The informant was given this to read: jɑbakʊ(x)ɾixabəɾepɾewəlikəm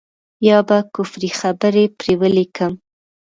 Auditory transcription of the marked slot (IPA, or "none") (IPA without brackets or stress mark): f